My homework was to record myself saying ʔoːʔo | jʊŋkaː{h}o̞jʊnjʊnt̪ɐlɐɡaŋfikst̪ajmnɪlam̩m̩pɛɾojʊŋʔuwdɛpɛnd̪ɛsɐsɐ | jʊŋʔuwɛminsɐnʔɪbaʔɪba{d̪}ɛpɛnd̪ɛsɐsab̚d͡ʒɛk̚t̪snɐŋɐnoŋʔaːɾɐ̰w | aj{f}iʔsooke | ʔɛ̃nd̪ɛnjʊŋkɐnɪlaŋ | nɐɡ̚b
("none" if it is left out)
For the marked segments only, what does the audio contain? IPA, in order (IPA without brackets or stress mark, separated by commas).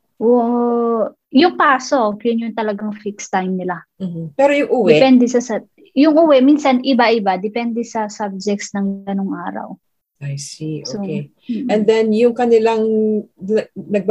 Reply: s, d̪, s